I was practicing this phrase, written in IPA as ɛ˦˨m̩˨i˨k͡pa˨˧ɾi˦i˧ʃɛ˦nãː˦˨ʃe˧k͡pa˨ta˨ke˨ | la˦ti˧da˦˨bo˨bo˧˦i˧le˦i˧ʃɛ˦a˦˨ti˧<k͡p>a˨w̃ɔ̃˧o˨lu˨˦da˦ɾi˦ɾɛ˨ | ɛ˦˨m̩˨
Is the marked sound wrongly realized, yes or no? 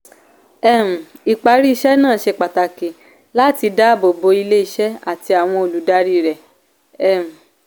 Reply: yes